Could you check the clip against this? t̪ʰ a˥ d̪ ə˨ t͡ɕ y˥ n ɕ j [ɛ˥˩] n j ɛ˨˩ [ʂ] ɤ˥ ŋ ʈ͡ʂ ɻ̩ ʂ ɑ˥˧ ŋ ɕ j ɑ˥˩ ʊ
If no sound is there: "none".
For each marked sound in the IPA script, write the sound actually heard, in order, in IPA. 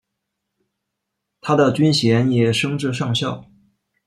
ɛ˧˥, ʂ

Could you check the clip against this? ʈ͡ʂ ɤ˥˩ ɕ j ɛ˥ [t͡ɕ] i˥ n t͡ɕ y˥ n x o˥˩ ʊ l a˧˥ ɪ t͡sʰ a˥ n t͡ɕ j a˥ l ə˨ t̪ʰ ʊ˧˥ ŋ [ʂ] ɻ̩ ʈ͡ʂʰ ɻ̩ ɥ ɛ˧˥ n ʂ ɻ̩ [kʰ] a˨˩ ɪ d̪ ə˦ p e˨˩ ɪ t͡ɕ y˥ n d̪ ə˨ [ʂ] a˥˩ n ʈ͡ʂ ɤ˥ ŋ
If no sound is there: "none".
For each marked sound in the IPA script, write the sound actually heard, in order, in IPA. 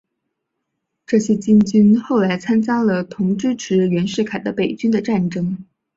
t͡ɕ, ʈ͡ʂ, kʰ, ʈ͡ʂ

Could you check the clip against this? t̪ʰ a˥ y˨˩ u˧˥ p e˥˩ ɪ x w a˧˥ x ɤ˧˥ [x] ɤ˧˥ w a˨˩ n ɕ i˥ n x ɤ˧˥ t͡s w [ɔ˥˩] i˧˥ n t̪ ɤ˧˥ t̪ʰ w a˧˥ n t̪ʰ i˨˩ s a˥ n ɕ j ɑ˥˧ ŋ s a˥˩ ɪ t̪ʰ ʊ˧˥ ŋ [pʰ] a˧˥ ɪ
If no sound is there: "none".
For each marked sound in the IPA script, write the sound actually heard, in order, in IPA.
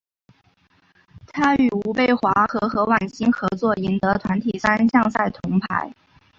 x, ɔ˥˩, pʰ

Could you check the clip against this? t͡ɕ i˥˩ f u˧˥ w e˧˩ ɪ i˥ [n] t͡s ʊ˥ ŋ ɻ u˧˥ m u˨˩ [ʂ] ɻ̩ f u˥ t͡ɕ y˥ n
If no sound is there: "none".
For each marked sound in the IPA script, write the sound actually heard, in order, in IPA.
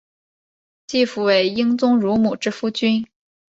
ŋ, ʈ͡ʂ

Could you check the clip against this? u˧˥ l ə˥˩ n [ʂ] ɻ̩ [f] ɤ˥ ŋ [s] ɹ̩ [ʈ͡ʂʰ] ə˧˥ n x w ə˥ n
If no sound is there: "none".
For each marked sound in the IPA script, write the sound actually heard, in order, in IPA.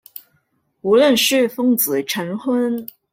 ʂ, f, t͡s, ʈ͡ʂʰ

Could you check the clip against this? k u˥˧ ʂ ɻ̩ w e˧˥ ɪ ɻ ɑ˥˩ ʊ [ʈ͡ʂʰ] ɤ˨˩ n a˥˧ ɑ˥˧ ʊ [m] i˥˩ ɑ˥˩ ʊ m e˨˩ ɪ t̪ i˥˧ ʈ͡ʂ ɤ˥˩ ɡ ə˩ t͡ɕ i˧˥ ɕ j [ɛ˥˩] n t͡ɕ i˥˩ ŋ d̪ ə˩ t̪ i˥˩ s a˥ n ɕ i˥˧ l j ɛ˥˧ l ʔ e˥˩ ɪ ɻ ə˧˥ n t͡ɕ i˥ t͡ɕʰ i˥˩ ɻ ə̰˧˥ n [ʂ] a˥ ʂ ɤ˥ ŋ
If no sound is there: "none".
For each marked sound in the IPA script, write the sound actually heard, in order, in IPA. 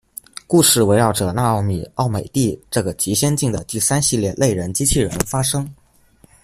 ʈ͡ʂ, m, ɛ˥, f

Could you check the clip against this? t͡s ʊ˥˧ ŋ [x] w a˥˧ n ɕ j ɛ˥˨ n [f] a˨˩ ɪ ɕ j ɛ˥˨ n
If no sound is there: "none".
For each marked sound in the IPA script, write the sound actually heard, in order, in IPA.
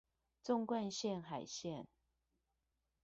k, x

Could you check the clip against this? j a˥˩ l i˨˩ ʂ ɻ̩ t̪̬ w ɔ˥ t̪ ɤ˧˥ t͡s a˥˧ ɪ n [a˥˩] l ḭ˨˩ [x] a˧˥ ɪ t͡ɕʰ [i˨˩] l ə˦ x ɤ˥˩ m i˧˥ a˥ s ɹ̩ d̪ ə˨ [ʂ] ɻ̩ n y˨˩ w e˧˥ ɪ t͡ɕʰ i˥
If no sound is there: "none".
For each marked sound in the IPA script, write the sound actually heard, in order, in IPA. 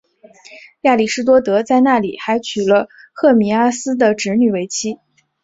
a˥˩, x, y˨˩, ʈ͡ʂ

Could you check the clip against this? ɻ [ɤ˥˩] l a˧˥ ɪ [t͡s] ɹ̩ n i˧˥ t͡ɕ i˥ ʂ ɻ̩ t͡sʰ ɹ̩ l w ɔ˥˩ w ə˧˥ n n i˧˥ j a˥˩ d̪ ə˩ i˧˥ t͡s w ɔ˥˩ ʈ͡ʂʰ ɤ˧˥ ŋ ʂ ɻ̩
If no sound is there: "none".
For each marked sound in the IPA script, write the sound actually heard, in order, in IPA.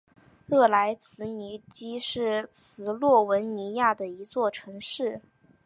ɤ˥˩, t͡sʰ

